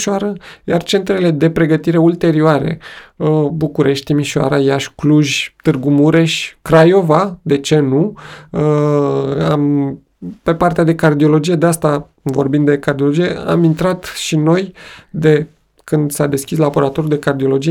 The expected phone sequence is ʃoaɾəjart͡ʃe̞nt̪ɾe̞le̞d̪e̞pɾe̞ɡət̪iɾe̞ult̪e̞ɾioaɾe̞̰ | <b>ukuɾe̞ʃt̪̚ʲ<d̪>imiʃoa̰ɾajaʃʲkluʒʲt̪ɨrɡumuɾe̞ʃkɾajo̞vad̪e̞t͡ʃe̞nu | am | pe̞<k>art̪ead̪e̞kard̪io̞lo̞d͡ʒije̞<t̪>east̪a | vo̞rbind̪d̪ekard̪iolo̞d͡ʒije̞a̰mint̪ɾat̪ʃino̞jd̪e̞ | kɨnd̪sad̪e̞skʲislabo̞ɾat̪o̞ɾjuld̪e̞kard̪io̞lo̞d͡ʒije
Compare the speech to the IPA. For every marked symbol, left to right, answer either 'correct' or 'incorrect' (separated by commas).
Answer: correct, incorrect, incorrect, incorrect